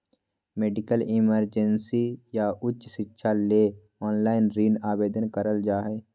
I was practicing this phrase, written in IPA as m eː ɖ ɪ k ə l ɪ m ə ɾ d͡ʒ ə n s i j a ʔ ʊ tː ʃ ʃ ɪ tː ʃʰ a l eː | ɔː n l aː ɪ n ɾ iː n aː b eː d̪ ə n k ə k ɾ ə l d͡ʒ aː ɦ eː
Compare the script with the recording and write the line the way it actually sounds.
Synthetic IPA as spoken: m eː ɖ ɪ k ə l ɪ m ə ɾ d͡ʒ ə n s i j a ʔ ʊ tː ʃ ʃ ɪ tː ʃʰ a l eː | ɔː n l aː ɪ n ɾ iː n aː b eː d̪ ə n k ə ɾ ə l d͡ʒ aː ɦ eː